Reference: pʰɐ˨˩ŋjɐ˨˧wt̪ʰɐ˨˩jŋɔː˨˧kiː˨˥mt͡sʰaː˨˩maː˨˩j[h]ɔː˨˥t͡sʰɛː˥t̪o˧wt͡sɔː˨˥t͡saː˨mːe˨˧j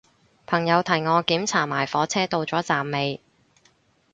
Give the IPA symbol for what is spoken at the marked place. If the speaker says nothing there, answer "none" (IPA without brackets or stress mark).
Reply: f